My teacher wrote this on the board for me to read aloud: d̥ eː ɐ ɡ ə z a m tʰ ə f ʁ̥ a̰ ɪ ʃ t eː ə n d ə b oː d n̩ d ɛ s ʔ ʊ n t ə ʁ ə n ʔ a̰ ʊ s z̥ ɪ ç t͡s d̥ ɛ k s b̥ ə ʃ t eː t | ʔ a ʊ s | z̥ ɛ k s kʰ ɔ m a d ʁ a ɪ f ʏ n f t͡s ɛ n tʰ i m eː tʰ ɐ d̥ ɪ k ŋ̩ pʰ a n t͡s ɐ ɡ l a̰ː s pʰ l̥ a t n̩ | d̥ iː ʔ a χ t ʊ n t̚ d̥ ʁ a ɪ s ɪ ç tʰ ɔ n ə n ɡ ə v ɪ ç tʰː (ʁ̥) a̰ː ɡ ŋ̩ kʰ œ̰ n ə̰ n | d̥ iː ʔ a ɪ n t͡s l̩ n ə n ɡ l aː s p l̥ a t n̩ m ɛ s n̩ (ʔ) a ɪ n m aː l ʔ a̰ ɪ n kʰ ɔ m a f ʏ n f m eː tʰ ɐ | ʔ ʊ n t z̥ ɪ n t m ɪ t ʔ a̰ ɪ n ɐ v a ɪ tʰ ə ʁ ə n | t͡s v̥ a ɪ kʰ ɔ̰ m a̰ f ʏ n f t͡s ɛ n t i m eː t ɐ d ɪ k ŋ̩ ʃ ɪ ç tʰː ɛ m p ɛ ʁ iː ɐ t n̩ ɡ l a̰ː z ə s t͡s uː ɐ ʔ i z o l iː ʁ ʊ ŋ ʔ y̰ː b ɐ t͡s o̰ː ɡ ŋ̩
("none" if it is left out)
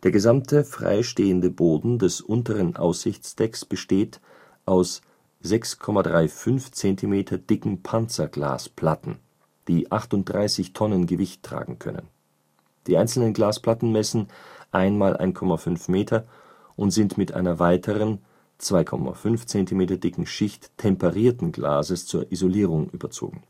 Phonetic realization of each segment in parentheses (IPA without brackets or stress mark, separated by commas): ʁ̥, ʔ